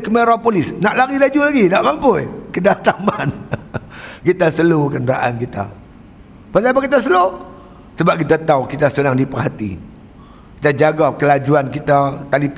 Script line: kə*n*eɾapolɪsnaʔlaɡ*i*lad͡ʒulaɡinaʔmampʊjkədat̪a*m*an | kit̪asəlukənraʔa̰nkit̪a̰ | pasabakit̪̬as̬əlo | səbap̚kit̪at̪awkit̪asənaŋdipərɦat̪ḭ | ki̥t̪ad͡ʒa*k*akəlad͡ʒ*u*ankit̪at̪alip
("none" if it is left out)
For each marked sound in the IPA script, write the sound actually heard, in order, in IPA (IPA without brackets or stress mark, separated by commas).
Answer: m, i, m, ɡ, u